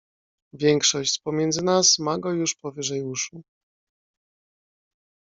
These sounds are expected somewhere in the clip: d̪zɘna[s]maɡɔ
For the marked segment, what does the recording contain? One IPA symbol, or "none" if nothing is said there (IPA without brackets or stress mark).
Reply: s